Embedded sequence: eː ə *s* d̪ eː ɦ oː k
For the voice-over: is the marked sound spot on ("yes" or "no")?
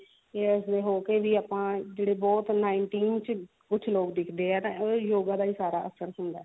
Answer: yes